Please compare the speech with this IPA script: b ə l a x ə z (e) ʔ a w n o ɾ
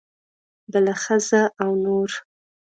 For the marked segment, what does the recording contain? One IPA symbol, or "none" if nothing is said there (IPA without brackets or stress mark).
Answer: a